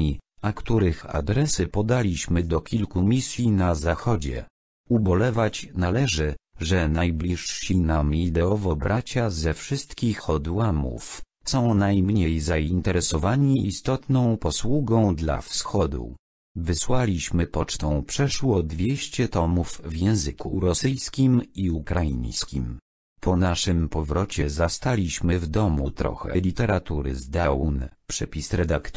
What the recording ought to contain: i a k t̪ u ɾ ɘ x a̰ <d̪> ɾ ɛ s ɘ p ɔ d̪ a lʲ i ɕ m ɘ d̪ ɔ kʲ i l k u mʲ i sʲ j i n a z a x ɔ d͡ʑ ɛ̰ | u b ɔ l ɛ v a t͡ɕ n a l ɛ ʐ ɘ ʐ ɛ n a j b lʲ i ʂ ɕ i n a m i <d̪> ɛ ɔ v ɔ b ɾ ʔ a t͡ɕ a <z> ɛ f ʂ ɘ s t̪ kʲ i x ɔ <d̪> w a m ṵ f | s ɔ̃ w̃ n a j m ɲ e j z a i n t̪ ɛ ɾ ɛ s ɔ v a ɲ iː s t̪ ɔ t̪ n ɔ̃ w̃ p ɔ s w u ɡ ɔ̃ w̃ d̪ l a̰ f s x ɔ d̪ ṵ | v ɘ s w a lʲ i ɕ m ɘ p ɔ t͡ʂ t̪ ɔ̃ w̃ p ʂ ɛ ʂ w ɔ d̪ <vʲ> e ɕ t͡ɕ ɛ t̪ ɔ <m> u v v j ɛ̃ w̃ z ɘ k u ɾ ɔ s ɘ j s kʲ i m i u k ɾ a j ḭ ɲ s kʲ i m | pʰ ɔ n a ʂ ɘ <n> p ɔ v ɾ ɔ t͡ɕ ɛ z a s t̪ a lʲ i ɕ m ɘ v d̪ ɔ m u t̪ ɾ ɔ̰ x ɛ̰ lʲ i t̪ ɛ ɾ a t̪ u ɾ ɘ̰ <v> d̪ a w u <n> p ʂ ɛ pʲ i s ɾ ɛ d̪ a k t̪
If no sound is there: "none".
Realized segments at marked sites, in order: d̪, d̪, z, d̪, vʲ, m, m, z, n

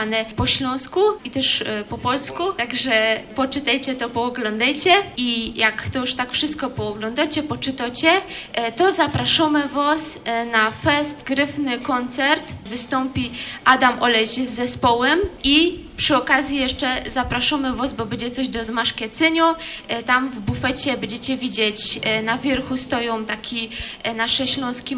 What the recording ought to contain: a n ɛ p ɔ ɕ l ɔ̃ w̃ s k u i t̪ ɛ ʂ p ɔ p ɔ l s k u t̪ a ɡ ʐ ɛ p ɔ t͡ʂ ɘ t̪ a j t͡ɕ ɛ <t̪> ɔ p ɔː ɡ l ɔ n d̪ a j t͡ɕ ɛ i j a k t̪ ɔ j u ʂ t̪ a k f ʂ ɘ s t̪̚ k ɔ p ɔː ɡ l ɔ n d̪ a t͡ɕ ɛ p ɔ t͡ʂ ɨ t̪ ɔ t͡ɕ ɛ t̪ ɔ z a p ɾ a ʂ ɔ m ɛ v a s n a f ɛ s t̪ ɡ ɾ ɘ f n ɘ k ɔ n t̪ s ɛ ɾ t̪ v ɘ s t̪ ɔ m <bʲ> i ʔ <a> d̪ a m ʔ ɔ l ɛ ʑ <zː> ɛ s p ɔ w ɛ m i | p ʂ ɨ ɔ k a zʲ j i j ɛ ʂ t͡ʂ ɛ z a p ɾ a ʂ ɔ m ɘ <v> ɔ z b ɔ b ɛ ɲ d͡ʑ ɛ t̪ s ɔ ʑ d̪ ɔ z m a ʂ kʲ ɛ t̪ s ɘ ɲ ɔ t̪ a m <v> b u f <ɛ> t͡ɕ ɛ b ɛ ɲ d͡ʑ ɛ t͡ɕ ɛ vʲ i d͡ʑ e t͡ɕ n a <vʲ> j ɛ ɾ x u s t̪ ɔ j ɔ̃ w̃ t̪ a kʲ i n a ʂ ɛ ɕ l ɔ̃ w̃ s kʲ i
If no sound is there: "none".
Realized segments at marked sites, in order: t̪, pʲ, a, zː, v, v, ɛ, vʲ

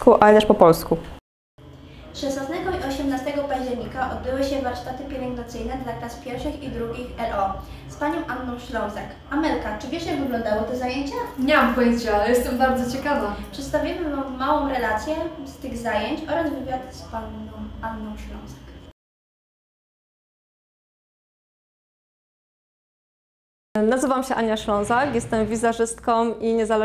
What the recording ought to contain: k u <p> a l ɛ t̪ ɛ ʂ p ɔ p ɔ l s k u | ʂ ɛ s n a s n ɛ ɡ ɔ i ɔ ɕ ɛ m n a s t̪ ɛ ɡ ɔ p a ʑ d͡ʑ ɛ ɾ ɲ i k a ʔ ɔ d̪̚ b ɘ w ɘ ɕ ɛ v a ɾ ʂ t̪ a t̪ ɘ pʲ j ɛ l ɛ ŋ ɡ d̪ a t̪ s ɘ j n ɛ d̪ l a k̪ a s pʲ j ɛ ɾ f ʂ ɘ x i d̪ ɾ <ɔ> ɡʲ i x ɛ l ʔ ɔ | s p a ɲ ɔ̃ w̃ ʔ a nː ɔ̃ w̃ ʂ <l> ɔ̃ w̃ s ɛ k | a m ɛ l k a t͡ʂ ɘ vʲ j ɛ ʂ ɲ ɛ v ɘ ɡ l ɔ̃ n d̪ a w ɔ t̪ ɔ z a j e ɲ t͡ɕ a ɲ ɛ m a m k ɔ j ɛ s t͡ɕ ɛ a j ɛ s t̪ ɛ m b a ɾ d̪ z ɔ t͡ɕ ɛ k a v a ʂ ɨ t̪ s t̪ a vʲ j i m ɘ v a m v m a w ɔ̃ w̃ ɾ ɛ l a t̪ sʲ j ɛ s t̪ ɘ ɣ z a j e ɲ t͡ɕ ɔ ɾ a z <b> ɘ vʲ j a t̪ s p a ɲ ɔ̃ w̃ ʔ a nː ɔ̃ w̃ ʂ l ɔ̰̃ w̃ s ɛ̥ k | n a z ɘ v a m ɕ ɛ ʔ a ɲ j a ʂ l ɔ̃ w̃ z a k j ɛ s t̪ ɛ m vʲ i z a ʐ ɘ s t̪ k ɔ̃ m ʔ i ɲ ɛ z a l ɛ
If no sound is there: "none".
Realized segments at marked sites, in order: ʔ, u, l, v

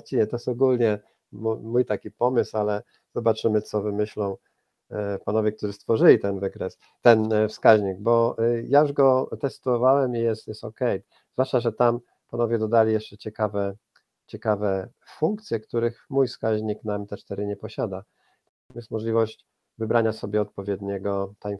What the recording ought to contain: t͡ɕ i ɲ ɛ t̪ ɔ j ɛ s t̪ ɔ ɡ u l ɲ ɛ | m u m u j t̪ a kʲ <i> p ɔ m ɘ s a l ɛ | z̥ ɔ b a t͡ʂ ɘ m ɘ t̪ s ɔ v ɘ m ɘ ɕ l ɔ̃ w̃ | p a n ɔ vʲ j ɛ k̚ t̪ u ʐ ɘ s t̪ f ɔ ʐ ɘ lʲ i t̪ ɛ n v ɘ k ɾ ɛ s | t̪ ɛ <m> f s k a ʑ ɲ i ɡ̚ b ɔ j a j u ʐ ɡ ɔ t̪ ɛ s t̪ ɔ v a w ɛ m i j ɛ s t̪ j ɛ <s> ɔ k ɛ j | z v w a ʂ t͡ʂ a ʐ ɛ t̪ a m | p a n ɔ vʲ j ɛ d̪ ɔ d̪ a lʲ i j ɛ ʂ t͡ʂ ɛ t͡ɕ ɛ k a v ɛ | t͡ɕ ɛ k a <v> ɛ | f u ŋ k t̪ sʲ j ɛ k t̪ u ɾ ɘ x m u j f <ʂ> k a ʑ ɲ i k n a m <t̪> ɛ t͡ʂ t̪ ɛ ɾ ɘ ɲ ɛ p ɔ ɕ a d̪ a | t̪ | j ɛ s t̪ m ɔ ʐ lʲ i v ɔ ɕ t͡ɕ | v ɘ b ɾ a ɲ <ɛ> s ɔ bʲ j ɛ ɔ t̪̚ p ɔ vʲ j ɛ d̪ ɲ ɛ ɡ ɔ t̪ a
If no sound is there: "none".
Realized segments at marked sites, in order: i, n, s, v, s, t̪, a

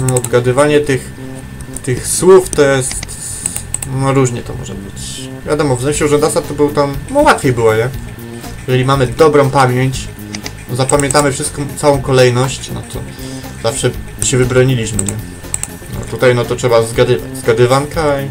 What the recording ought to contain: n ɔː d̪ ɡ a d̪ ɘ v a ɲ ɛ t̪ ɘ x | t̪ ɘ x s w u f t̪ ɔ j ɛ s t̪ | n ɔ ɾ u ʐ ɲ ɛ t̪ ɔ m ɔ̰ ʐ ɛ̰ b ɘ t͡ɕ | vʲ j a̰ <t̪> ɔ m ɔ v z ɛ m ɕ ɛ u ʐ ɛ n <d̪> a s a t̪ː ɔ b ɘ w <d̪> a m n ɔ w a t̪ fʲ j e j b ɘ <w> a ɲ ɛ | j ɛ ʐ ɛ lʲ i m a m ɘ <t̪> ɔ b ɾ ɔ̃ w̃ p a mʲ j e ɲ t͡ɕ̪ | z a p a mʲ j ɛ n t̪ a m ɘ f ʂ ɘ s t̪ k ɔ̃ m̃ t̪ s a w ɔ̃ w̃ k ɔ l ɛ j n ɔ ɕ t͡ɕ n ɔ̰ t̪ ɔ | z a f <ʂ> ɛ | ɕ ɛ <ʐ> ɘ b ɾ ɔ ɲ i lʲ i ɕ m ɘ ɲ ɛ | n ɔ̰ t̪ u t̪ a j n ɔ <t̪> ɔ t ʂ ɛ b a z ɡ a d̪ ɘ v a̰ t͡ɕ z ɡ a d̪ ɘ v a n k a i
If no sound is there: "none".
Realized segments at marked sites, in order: d̪, d̪, t̪, w, d̪, ʂ, v, t̪

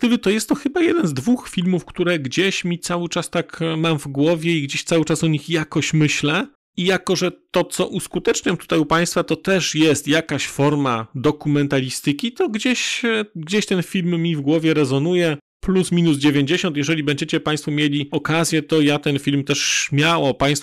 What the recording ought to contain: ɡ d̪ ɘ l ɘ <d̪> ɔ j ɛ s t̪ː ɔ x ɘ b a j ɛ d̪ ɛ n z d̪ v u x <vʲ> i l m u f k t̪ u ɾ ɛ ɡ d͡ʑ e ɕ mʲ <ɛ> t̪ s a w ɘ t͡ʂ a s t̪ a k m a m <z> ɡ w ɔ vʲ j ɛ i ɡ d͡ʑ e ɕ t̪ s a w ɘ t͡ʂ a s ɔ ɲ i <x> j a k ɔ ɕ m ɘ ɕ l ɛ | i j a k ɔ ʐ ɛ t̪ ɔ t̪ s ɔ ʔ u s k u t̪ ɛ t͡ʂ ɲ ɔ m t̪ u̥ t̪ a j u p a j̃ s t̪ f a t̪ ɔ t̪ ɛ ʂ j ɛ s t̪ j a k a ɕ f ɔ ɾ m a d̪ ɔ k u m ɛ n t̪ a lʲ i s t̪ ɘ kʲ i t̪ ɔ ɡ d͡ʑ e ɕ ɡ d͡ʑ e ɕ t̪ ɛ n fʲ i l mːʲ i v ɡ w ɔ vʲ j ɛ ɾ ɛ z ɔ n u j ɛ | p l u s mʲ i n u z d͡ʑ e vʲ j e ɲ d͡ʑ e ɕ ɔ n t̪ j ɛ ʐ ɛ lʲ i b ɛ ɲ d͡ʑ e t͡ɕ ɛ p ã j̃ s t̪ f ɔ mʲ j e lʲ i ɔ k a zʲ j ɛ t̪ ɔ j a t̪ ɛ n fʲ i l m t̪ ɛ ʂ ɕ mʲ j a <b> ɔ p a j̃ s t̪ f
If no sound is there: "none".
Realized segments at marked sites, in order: t̪, fʲ, i, v, x, w

